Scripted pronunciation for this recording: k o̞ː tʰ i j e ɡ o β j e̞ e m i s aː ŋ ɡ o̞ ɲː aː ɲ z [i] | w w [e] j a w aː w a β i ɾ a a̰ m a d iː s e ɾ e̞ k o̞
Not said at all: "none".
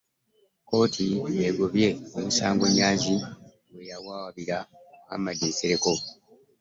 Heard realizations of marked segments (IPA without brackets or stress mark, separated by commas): i, e